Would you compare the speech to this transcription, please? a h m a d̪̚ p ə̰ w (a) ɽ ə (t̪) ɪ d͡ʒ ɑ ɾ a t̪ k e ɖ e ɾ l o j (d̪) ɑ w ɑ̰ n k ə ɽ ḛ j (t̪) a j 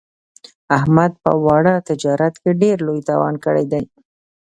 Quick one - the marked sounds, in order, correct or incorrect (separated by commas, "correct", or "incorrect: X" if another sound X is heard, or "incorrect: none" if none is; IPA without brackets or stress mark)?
incorrect: ɑ, correct, incorrect: t̪, incorrect: d̪